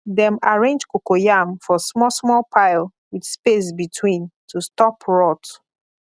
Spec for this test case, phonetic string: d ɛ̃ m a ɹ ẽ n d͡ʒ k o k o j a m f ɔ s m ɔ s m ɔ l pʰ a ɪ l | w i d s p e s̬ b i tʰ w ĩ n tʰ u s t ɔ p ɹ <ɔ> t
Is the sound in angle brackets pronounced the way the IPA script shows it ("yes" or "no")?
yes